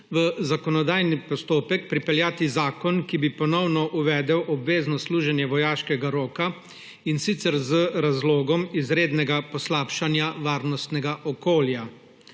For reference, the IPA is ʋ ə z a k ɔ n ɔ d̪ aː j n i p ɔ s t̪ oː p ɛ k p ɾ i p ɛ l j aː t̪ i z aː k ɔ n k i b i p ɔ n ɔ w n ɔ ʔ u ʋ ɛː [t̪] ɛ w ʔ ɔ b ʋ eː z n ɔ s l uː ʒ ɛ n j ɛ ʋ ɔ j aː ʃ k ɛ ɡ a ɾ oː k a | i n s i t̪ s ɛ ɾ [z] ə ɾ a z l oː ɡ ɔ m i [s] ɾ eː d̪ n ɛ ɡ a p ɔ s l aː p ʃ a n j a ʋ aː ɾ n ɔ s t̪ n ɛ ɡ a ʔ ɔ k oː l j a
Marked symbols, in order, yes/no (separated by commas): no, yes, no